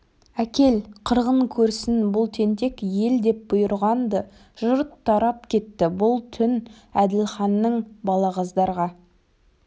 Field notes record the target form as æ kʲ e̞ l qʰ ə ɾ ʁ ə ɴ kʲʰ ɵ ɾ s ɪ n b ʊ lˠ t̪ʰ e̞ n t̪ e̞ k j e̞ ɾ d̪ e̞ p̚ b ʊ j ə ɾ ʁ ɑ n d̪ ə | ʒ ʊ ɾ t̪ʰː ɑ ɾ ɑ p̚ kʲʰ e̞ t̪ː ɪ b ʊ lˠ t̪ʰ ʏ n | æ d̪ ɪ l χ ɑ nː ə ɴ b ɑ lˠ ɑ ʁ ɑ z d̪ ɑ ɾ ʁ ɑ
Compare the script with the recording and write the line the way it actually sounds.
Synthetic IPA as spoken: æ kʲ e̞ l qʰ ə ɾ ʁ ə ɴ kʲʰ ɵ ɾ s ɪ n b ʊ lˠ t̪ʰ e̞ n t̪ e̞ k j e̞ l d̪ e̞ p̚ b ʊ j ə ɾ ʁ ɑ n d̪ ə | ʒ ʊ ɾ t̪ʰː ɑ ɾ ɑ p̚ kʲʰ e̞ t̪ː ɪ b ʊ lˠ t̪ʰ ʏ n | æ d̪ ɪ l χ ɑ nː ə ɴ b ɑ lˠ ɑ ʁ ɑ z d̪ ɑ ɾ ʁ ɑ